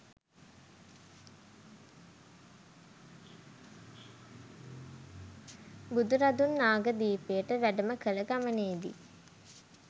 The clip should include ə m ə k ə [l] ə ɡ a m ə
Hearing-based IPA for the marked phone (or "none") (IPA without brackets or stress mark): l